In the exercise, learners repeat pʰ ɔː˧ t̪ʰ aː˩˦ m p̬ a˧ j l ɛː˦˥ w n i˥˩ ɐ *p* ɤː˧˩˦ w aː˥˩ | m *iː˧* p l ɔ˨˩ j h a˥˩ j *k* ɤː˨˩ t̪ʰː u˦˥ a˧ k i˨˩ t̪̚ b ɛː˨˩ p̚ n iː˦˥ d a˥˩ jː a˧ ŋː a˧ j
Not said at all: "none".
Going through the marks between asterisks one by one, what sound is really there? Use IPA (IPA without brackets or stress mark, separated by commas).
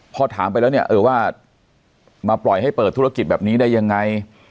ʔ, aː˧, p